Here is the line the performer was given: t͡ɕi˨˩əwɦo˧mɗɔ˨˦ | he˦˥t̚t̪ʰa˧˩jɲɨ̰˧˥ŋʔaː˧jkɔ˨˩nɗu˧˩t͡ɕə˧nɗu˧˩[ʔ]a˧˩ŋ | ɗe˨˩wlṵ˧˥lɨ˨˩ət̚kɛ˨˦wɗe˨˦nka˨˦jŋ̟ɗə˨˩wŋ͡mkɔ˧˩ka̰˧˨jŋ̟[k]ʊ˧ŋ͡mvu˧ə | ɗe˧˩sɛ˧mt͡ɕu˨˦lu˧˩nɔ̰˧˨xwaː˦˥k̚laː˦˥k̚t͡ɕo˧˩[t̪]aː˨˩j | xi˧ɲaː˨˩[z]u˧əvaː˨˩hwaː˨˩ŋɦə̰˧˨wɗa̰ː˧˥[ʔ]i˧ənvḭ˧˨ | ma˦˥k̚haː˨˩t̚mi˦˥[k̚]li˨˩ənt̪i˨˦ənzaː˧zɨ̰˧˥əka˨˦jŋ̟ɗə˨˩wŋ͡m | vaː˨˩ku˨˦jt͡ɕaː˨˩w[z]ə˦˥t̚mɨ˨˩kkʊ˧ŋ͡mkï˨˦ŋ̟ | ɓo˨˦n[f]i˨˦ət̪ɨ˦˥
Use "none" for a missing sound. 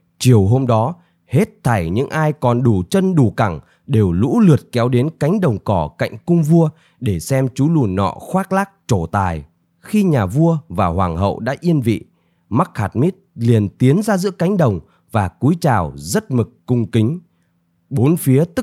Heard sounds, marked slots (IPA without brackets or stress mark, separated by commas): k, k, t̪, v, ʔ, t̚, z, f